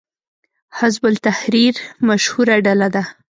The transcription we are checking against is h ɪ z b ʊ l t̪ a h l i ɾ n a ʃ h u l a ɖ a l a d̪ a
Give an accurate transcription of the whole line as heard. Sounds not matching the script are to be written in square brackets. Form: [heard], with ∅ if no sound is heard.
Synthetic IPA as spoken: h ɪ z b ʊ l t̪ a h [ɾ] i ɾ [m] a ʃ h u [ɾ] a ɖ a l a d̪ a

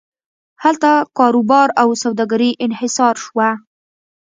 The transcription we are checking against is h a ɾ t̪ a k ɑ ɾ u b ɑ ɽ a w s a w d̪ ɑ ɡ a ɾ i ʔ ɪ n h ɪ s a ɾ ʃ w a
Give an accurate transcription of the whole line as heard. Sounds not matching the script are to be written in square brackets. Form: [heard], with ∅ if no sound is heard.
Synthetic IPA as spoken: h a [l] t̪ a k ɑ ɾ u b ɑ [ɾ] a w s a w d̪ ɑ ɡ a ɾ i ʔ ɪ n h ɪ s [ɑ] ɾ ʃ w a

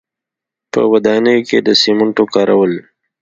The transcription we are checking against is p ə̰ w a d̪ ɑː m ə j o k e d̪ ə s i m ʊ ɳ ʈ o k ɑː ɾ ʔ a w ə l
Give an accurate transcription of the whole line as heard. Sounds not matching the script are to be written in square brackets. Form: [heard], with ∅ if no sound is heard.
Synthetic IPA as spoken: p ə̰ w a d̪ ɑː [n] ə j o k e d̪ ə s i m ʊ ɳ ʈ o k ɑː ɾ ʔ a w ə l

